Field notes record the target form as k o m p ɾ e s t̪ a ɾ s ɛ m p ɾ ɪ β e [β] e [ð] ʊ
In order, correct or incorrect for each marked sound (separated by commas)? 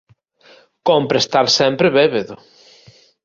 correct, correct